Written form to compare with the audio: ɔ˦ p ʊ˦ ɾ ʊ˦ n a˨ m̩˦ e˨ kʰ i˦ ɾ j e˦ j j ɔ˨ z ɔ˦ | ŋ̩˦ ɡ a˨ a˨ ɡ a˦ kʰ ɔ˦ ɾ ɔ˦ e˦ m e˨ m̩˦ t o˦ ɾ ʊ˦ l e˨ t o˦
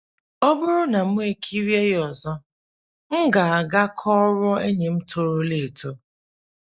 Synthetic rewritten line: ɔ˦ b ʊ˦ ɾ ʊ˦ n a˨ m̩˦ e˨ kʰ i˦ ɾ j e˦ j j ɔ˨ z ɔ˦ | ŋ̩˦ ɡ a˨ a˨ ɡ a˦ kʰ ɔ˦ ɾ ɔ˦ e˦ ɲ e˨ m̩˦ t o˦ ɾ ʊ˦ l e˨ t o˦